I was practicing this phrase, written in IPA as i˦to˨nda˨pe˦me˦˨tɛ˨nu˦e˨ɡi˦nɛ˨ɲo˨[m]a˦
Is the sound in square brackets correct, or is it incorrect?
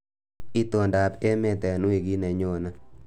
incorrect: n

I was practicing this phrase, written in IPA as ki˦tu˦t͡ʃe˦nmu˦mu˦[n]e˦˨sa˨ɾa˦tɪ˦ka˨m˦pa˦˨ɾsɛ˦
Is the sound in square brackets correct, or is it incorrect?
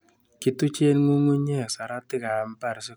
incorrect: ɲ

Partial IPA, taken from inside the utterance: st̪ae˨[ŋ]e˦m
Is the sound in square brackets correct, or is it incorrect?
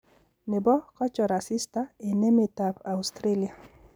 incorrect: n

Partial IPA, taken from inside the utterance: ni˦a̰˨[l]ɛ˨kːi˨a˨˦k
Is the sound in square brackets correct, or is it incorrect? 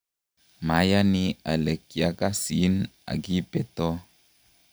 correct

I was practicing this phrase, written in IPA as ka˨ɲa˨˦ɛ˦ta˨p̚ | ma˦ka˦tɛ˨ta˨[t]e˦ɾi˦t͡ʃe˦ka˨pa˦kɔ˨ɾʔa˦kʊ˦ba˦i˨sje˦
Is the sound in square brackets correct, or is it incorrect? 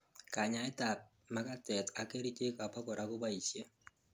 incorrect: k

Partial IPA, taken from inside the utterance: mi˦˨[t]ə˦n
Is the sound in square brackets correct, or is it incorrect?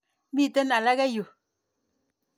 correct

